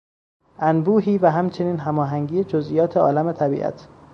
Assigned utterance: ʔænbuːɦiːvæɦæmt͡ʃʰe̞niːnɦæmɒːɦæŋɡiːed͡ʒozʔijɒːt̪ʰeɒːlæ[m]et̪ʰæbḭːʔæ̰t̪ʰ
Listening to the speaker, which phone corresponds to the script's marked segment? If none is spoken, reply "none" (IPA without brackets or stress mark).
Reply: m